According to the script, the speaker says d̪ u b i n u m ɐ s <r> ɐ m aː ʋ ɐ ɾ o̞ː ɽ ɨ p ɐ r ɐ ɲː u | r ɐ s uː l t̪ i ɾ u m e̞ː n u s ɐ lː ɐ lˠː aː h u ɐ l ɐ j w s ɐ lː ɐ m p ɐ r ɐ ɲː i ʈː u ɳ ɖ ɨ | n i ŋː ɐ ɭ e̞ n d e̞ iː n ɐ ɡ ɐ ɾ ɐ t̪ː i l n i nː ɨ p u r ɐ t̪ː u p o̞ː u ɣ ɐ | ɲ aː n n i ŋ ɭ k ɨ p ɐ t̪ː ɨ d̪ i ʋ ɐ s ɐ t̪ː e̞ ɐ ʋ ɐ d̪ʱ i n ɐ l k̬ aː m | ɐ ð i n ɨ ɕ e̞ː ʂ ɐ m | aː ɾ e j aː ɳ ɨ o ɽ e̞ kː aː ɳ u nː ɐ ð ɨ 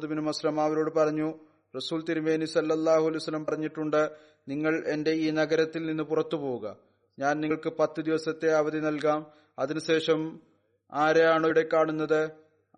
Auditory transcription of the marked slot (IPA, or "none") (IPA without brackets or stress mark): l